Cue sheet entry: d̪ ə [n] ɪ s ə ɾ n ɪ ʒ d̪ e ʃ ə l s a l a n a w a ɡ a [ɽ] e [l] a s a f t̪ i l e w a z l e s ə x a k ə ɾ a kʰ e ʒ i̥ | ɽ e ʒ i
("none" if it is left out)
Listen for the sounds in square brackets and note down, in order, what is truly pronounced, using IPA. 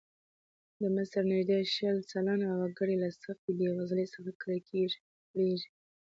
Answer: m, ɽ, l

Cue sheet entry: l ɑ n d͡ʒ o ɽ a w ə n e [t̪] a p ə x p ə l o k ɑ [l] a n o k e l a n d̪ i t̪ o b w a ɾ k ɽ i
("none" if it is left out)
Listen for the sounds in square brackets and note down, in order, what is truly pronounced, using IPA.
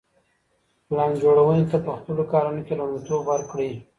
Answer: t̪, ɾ

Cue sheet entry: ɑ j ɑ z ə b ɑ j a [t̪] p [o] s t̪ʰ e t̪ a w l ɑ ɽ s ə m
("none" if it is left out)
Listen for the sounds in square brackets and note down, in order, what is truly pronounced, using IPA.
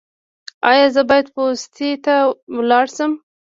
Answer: d̪, o

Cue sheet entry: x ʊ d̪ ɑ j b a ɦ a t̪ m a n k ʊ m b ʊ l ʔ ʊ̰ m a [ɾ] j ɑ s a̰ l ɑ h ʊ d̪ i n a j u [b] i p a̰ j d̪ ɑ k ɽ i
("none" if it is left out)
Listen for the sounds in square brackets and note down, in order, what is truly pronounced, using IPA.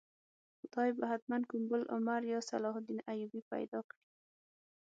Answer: ɾ, b

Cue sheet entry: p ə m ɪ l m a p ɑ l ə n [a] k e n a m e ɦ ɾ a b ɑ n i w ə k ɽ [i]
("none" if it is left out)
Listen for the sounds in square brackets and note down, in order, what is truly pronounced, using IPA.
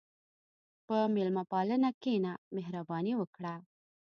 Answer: a, a

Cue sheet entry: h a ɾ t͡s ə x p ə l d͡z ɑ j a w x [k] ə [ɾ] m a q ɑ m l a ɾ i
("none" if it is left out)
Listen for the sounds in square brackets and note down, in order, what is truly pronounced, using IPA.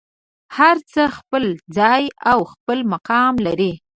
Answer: p, l

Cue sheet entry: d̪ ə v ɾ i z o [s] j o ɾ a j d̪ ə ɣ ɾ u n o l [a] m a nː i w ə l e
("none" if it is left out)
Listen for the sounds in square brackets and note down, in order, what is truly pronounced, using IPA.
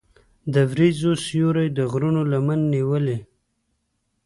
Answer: s, a

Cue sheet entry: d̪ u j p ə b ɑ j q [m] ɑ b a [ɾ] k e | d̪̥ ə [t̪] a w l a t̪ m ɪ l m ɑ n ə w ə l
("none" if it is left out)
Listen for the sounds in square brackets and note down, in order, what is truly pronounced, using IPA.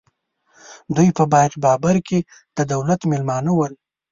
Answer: b, ɾ, d̪

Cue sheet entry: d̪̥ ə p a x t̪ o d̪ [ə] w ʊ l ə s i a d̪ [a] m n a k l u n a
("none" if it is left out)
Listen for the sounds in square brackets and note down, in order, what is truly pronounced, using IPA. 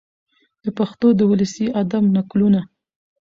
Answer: ə, a

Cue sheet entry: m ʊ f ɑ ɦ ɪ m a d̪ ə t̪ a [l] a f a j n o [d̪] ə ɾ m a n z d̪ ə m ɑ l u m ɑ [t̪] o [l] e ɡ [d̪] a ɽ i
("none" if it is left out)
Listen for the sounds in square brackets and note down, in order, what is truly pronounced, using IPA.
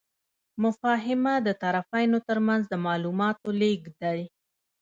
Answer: ɾ, t̪, t̪, l, d̪

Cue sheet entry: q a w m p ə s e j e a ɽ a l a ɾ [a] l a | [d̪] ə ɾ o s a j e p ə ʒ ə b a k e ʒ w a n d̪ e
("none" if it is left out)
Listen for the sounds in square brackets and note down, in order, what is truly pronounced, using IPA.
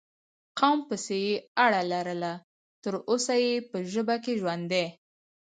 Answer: ə, t̪

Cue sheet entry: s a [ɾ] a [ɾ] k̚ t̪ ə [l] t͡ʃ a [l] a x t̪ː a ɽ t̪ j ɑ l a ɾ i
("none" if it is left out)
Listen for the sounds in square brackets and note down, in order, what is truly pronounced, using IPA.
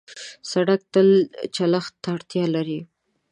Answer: ɽ, none, l, l

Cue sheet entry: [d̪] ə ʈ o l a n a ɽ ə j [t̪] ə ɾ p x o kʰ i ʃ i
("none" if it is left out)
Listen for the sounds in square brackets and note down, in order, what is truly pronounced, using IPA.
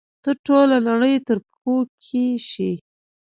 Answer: t̪, t̪

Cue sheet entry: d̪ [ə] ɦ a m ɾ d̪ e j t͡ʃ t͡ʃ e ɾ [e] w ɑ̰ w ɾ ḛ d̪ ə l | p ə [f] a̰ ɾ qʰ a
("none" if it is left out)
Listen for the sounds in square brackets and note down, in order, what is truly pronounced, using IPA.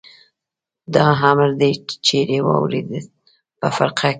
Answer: ɑ, e, f

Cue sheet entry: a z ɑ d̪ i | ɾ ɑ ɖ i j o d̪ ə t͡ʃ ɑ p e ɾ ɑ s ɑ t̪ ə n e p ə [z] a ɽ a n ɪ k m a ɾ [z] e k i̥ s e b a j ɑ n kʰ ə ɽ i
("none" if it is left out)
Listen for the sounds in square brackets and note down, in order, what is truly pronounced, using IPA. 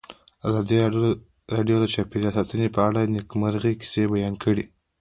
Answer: none, ɣ

